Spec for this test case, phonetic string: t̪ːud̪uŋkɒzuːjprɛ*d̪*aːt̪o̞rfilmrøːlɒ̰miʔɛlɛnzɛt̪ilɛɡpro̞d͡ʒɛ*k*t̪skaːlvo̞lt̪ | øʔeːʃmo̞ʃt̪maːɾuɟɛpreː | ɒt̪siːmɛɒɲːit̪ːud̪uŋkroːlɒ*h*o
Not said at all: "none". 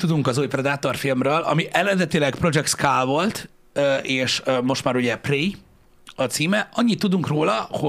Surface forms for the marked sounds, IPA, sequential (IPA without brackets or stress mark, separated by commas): d̪, k, h